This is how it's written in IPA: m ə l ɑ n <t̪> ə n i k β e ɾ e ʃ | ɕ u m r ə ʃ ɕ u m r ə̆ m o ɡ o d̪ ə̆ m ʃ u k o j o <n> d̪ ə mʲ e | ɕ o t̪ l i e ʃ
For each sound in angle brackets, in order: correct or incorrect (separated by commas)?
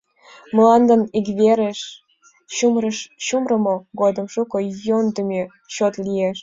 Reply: incorrect, correct